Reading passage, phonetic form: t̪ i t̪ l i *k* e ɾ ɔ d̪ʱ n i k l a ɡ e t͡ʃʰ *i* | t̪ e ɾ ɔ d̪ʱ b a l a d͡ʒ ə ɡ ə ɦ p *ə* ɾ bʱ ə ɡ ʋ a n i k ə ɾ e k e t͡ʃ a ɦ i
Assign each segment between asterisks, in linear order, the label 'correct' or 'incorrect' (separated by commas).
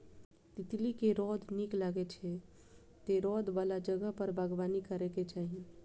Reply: correct, incorrect, correct